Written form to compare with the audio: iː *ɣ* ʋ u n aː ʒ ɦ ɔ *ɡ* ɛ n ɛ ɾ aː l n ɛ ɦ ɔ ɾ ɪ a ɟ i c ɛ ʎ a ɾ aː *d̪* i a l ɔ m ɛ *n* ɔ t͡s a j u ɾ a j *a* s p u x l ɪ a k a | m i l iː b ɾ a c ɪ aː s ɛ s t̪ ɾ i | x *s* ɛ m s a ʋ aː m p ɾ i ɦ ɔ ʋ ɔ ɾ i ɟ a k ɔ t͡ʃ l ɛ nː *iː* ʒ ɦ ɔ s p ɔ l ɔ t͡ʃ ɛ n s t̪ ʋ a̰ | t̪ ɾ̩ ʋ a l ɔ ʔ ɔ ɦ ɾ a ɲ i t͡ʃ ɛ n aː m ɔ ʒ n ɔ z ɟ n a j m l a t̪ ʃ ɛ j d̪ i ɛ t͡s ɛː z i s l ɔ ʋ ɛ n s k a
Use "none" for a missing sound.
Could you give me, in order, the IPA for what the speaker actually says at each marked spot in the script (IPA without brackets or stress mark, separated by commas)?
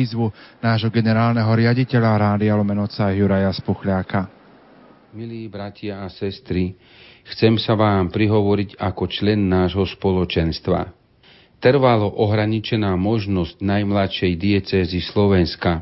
z, ɡ, d̪, n, a, t͡s, aː